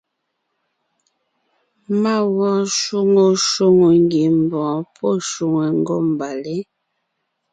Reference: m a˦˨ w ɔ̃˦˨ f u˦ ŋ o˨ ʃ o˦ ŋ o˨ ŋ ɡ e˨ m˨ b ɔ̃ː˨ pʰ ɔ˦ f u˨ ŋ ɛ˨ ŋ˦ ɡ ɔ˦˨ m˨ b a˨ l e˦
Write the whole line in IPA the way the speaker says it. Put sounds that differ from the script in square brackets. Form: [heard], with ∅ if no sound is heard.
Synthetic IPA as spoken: m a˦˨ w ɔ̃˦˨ [ʃ] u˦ ŋ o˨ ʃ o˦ ŋ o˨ ŋ ɡ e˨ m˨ b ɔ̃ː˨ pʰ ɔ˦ [ʃ] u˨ ŋ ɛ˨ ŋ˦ ɡ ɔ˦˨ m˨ b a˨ l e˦

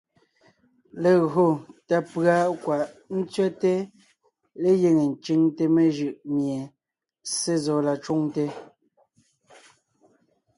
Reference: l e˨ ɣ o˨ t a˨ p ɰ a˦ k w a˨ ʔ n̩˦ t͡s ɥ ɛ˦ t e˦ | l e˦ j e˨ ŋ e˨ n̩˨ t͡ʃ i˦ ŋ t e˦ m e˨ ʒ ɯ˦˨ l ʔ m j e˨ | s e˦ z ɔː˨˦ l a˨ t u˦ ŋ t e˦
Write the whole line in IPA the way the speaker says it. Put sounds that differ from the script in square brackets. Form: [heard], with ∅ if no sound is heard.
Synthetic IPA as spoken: l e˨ ɣ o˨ t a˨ p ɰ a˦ k w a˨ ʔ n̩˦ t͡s ɥ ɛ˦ t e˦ | l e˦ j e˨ ŋ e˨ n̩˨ t͡ʃ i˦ ŋ t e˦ m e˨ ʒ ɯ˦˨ [∅] ʔ m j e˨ | s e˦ z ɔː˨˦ l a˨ [t͡ʃ] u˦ ŋ t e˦

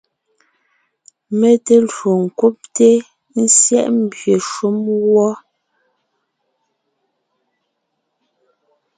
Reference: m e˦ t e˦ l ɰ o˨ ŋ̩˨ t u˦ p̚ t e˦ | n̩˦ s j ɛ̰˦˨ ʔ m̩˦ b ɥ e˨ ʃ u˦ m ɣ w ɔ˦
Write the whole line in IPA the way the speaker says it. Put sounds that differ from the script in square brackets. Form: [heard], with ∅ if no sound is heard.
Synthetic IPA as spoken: m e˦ t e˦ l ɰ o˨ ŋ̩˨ [k] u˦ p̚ t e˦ | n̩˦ s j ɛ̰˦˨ ʔ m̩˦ b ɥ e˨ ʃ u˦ m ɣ w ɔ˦

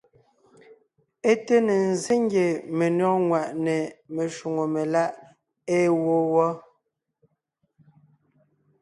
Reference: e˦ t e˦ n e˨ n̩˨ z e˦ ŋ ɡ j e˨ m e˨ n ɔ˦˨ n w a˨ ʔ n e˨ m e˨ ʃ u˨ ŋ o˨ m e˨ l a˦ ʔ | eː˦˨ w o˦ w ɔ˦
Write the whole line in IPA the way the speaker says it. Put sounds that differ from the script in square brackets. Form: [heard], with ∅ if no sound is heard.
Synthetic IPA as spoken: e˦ t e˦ n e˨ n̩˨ z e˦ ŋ ɡ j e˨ m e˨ n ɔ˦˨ [ŋ] w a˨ ʔ n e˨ m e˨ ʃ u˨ ŋ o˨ m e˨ l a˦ ʔ | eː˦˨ w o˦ w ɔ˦

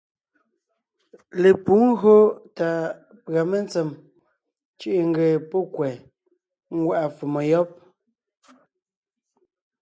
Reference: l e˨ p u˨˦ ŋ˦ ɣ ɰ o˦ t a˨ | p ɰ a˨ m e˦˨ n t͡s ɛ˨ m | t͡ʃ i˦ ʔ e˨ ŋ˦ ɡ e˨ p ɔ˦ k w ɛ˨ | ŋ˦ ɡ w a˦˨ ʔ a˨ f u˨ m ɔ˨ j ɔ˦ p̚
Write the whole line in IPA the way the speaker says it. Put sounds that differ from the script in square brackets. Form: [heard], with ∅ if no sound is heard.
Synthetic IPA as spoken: l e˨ p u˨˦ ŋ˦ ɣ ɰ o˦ t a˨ | p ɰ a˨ m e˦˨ n t͡s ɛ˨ m | t͡ʃ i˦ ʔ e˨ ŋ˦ ɡ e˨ p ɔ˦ k w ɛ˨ | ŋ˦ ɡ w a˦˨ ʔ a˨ f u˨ m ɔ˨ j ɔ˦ p̚

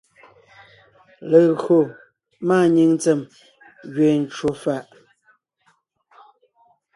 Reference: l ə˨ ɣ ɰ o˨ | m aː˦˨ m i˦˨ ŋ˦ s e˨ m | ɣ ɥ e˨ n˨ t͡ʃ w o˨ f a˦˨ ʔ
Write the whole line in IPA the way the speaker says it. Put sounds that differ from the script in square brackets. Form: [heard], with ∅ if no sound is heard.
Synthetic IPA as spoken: l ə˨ ɣ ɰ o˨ | m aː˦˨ [ɲ] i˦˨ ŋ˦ [t͡s] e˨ m | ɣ ɥ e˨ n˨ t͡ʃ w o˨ f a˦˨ ʔ

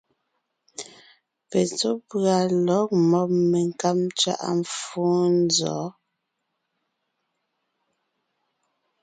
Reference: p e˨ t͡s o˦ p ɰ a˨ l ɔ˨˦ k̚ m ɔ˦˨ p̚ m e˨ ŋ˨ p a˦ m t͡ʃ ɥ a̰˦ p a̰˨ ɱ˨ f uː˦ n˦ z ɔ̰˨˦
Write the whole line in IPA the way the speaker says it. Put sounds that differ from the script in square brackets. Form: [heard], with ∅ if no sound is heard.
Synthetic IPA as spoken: p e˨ t͡s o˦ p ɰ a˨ l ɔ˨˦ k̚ m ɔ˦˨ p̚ m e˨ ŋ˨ [k] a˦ m t͡ʃ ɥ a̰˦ [ʔ] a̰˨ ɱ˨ f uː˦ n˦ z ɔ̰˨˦

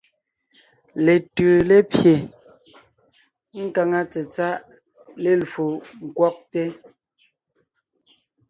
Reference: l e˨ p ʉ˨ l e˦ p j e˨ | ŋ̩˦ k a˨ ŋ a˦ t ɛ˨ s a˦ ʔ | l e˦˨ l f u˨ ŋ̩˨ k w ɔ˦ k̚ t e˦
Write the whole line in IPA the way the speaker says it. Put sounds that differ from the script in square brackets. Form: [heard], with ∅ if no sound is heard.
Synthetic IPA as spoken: l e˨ [t] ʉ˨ l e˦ p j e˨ | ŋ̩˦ k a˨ ŋ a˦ [t͡s] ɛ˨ [t͡s] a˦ ʔ | l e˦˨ l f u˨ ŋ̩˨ k w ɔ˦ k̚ t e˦

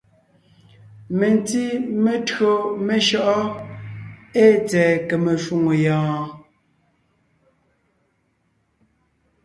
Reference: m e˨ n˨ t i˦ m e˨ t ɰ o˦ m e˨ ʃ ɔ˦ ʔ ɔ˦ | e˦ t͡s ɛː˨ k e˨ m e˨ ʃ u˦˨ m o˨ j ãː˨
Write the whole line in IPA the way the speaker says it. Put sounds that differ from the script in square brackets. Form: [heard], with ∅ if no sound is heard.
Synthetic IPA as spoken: m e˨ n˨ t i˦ m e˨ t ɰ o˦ m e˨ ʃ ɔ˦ ʔ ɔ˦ | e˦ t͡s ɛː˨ k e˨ m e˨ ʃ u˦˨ [ŋ] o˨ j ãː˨

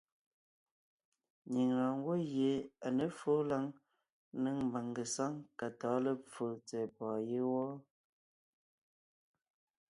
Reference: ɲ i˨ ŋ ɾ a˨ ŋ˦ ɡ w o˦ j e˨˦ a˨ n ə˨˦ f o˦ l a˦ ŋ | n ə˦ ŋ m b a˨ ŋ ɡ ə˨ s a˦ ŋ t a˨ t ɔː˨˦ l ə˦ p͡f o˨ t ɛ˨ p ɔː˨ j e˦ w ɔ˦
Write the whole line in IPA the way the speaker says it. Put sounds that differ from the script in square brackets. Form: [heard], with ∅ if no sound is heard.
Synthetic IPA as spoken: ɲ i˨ ŋ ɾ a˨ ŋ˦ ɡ w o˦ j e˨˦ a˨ n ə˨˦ f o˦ l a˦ ŋ | n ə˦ ŋ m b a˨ ŋ ɡ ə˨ s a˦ ŋ [k] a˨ t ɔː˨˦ l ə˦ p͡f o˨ [t͡s] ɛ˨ p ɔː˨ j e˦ w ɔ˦

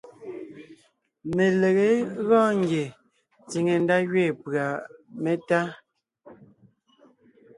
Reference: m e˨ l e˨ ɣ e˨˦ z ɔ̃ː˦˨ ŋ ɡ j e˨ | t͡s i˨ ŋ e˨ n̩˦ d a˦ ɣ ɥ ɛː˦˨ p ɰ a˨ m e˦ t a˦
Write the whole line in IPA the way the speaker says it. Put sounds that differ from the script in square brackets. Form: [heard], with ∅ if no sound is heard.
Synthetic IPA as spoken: m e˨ l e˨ ɣ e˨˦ [ɣ] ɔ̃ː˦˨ ŋ ɡ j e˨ | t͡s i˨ ŋ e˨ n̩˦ d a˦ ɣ ɥ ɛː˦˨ p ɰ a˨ m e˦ t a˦

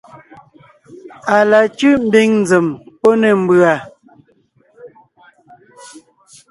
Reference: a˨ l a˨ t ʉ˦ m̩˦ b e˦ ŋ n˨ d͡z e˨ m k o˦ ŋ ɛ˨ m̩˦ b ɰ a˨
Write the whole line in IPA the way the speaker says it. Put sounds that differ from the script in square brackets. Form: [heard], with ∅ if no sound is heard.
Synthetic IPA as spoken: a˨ l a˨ [t͡ʃ] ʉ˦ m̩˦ b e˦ ŋ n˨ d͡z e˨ m [p] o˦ [n] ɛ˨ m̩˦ b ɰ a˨

